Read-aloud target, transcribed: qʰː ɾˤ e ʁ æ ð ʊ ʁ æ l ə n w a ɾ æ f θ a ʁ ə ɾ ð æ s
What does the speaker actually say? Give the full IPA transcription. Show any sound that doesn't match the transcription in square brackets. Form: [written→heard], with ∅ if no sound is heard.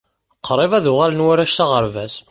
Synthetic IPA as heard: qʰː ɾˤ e [ʁ→v] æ ð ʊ ʁ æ l ə n w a ɾ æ [f→ʃ] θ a ʁ ə ɾ [ð→v] æ s